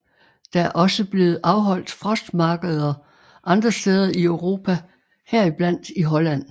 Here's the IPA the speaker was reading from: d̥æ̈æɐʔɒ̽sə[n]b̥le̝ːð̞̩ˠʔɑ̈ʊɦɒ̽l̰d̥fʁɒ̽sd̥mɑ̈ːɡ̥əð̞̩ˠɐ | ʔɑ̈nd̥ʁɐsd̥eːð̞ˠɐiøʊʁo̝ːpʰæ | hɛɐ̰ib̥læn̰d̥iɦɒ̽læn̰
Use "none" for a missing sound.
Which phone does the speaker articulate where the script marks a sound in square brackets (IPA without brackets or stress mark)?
none